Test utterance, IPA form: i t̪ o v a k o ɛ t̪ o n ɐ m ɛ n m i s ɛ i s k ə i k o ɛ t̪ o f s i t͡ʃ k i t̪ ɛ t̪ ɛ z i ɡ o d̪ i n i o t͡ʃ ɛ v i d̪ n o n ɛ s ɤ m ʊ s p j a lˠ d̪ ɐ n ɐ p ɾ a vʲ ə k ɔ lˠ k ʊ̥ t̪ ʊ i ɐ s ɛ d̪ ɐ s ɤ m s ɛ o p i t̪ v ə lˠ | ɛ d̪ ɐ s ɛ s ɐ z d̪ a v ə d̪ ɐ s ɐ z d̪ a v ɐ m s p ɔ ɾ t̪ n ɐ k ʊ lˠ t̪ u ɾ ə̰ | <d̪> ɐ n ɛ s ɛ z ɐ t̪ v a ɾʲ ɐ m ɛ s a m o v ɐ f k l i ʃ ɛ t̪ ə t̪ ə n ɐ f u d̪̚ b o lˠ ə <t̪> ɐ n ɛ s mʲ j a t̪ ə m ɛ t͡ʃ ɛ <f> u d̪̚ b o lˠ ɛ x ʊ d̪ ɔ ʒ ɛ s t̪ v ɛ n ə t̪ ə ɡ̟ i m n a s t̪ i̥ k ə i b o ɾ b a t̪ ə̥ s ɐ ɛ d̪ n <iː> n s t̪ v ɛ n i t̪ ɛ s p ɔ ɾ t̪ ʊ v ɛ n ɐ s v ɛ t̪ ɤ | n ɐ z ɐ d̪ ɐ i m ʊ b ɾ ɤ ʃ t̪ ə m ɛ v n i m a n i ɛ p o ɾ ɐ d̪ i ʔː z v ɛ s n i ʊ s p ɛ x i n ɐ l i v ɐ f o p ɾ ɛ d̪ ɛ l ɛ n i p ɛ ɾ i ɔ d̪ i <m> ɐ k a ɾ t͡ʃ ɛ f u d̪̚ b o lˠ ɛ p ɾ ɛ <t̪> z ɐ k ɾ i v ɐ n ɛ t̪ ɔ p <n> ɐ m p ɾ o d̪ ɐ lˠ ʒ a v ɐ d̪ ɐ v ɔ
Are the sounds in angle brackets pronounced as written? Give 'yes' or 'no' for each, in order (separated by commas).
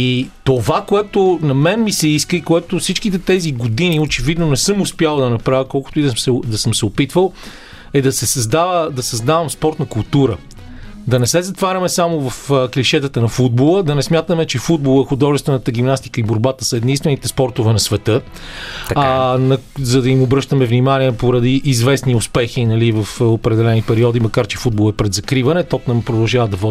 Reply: yes, no, yes, no, yes, no, yes